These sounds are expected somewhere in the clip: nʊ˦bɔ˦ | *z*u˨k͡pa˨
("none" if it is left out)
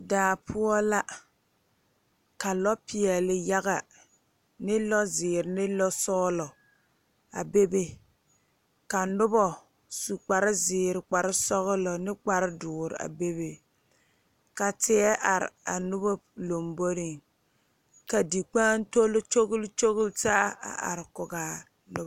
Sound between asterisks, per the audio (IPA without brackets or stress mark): s